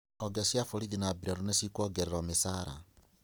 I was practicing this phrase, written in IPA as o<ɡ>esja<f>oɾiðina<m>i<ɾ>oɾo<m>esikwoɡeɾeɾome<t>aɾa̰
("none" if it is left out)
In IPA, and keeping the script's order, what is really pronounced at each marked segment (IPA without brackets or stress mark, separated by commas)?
ɡ, f, b, ɾ, n, s